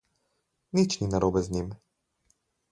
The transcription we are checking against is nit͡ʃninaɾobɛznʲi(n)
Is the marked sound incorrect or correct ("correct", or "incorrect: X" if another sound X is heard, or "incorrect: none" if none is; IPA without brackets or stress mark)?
incorrect: m